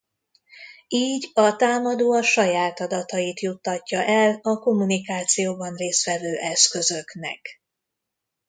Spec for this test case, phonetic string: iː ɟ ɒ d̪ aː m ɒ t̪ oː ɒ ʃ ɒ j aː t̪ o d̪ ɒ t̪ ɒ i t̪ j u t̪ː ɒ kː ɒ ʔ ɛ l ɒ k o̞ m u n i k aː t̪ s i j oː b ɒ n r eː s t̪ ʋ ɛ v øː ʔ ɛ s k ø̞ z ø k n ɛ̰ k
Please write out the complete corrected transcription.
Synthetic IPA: iː ɟ ɒ t̪ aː m ɒ d̪ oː ɒ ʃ ɒ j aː t̪ ɒ d̪ ɒ t̪ ɒ i t̪ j u t̪ː ɒ cː ɒ ʔ ɛ l ɒ k o̞ m u n i k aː t̪ s i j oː b ɒ n r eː s t̪ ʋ ɛ v øː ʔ ɛ s k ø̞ z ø k n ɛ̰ k